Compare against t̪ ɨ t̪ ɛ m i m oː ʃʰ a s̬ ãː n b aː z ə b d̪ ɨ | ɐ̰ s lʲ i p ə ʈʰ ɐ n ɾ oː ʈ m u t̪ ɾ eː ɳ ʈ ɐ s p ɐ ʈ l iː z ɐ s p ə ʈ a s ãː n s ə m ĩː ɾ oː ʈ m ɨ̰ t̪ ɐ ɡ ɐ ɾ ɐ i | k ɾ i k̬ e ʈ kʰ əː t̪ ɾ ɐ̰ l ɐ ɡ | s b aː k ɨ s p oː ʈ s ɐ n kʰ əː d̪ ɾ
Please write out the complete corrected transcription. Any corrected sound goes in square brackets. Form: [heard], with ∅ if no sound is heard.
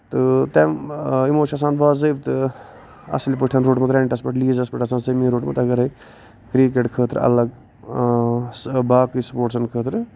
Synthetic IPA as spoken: t̪ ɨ t̪ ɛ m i m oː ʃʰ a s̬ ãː n b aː z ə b [t̪] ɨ | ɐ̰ s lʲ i p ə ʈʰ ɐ n ɾ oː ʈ m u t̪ ɾ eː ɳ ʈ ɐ s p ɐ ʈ l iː z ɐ s p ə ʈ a s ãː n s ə m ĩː ɾ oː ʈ m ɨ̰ t̪ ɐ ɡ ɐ ɾ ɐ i | k ɾ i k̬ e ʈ kʰ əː t̪ ɾ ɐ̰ l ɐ ɡ | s b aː k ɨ s p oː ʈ s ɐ n kʰ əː [t̪] ɾ